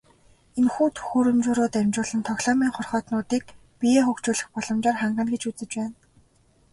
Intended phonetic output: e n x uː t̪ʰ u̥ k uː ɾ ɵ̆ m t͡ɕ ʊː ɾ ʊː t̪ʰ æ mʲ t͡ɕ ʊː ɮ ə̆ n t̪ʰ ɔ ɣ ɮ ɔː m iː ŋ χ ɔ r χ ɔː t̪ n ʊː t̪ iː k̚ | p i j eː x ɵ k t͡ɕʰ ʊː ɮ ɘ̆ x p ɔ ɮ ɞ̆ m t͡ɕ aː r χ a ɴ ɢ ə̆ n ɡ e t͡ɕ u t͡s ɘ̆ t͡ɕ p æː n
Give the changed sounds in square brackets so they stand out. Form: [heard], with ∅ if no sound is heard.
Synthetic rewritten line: e n x uː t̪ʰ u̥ [x] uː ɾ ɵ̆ m t͡ɕ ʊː ɾ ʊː [t̪] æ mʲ t͡ɕ ʊː ɮ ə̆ n t̪ʰ ɔ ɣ ɮ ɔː m iː ŋ χ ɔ r χ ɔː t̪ n ʊː t̪ iː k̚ | p i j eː x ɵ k [t͡ɕ] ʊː ɮ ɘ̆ x p ɔ ɮ ɞ̆ m t͡ɕ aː r χ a ɴ ɢ ə̆ n ɡ e t͡ɕ u t͡s ɘ̆ t͡ɕ p æː n